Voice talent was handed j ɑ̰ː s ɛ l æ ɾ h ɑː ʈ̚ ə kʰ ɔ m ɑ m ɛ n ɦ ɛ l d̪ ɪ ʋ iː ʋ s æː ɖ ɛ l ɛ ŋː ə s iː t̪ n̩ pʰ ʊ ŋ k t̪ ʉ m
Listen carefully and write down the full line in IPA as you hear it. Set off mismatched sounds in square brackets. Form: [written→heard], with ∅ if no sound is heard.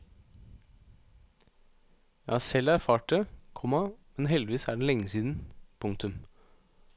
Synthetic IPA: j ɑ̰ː s ɛ l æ ɾ [h→f] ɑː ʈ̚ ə kʰ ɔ m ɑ m ɛ n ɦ ɛ l d̪ ɪ ʋ iː [ʋ→∅] s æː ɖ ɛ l ɛ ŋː ə s iː [t̪→d̪] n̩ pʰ ʊ ŋ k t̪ ʉ m